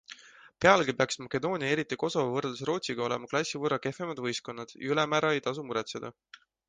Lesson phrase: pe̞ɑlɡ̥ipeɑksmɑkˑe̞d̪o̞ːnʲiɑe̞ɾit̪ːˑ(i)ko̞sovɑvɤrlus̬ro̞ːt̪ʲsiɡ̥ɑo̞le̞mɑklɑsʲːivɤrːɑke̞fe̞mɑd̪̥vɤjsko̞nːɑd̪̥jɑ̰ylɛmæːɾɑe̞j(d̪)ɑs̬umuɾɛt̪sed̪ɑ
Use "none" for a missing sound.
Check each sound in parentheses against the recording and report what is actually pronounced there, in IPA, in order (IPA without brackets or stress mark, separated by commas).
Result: i, t̪